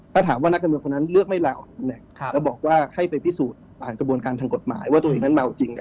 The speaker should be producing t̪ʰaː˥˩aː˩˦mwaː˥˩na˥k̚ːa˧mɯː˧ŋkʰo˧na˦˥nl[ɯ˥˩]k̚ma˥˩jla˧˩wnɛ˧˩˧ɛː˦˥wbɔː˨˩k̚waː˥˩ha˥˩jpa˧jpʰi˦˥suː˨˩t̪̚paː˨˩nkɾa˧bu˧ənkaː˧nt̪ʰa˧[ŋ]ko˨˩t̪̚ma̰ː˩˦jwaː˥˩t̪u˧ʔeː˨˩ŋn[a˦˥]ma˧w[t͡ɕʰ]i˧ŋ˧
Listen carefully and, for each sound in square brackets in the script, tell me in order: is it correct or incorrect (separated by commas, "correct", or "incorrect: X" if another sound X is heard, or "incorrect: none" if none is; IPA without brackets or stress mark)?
correct, correct, correct, incorrect: t͡ɕ